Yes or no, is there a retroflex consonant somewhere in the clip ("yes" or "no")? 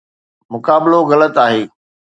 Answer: no